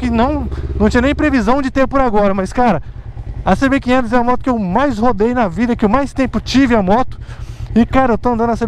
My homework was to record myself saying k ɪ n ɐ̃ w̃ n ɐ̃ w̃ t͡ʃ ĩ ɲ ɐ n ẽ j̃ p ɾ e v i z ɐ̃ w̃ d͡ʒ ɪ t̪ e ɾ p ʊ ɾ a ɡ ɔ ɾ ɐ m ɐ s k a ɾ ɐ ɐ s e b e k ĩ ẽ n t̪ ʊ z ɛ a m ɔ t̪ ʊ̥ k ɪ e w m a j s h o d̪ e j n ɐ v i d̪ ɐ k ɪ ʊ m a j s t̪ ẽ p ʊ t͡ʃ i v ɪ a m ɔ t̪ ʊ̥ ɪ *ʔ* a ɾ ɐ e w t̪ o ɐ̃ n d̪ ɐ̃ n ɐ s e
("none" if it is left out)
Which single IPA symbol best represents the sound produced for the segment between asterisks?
k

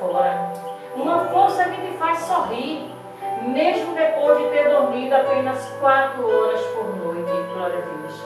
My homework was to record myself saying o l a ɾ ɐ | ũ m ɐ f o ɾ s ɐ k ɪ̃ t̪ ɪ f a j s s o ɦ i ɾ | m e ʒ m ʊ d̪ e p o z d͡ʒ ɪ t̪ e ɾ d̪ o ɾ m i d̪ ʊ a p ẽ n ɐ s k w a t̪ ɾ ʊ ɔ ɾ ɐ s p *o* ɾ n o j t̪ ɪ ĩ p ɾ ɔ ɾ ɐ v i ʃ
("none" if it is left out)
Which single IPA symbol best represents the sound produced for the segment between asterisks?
o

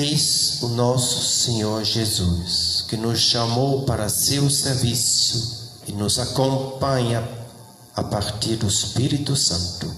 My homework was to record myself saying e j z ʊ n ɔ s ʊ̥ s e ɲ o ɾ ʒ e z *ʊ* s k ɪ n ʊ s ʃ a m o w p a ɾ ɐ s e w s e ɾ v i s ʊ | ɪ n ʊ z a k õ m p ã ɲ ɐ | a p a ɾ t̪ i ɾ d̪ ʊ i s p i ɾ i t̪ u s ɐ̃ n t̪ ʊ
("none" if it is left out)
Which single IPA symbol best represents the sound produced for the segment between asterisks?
u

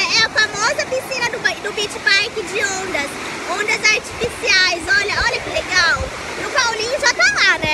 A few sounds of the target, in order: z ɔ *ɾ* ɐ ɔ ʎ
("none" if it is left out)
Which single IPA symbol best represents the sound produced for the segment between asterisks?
ʎ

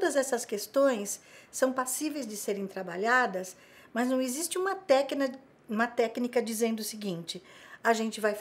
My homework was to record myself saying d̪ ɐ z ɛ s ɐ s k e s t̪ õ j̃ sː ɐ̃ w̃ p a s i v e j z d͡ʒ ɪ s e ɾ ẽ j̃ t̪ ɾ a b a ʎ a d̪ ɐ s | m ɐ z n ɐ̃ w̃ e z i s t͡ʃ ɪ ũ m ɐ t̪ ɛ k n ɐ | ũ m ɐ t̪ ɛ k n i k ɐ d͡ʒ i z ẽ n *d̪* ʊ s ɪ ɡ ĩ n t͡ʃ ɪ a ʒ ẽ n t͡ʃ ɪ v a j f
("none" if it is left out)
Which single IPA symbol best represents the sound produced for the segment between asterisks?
d̪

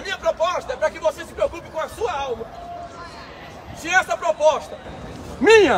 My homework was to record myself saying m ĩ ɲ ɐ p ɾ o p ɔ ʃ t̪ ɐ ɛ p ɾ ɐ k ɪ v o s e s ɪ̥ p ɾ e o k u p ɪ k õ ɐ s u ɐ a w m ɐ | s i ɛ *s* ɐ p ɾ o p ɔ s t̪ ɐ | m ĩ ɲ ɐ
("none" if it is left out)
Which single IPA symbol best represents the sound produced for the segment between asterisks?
s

